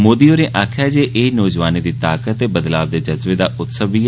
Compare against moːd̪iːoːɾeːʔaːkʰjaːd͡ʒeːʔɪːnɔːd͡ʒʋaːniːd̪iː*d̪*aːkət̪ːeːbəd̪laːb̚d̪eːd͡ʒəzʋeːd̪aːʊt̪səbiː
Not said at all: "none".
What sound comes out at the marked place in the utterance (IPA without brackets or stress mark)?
t̪